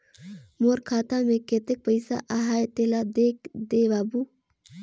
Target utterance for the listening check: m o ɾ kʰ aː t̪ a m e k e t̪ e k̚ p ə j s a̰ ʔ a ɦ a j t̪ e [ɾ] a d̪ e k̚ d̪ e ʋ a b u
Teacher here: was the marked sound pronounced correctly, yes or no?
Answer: no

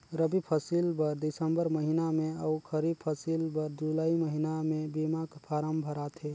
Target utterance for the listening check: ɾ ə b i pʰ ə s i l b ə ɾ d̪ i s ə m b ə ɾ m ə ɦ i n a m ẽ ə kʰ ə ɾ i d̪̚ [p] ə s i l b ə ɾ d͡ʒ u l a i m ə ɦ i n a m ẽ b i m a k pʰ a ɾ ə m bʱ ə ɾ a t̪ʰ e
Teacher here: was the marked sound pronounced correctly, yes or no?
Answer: no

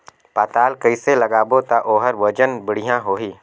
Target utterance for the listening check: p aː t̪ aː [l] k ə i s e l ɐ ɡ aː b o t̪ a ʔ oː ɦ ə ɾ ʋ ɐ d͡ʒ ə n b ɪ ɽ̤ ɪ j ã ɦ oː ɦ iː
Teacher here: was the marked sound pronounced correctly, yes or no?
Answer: yes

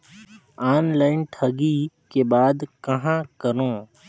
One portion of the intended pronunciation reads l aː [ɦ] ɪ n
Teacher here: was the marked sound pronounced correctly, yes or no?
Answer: no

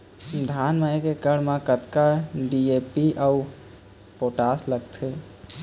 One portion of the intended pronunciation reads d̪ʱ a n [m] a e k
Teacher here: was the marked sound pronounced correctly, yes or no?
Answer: yes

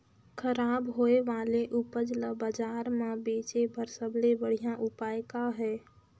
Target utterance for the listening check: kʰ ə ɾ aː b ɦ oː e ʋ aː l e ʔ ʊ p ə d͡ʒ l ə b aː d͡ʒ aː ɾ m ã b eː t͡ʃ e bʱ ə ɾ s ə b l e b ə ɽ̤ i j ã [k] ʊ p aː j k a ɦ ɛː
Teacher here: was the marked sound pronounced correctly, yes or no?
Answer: no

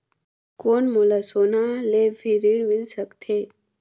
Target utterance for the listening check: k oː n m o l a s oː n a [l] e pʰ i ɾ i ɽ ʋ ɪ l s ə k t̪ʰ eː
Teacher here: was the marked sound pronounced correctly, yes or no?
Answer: yes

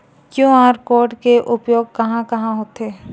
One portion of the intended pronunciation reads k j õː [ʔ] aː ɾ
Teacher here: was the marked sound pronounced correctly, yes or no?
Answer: no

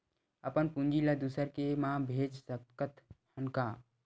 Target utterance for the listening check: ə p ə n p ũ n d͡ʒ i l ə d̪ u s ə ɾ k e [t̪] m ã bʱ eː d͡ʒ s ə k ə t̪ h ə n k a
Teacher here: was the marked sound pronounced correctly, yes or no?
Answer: no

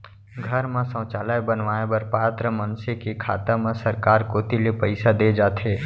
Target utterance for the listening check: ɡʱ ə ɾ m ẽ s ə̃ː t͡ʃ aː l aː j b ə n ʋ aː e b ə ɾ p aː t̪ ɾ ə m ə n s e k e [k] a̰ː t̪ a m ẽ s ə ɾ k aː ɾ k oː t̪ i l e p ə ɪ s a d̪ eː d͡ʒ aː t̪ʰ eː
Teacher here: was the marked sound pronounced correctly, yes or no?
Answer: no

